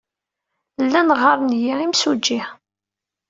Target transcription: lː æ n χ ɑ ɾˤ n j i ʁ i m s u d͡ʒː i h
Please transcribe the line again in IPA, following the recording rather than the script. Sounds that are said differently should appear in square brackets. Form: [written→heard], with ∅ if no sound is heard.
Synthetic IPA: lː æ n [χ→ʁ] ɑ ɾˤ n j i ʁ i m s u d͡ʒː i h